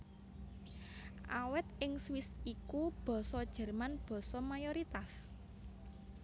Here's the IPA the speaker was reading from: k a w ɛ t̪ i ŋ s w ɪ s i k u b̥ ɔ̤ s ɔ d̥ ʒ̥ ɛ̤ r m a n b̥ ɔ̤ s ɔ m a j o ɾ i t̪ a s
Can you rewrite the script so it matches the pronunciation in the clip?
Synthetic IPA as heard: ʔ a w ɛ t̪ ɪ ŋ s w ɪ s i k u b̥ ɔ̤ s ɔ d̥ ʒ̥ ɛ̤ r m a n b̥ ɔ̤ s ɔ m a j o ɾ i t̪ a s